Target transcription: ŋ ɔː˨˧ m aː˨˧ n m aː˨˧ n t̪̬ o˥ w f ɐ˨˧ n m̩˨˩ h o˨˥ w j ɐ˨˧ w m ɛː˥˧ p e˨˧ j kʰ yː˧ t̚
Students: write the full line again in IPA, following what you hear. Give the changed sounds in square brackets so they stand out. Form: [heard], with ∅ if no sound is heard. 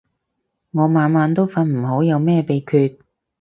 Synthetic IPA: ŋ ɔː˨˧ m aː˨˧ n m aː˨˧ n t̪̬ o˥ w f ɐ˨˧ n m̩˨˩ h o˨˥ w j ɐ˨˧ w m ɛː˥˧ p e˨˧ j kʰ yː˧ t̚